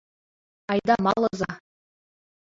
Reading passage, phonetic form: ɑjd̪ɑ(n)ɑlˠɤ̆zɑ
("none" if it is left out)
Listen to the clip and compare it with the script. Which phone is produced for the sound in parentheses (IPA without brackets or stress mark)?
m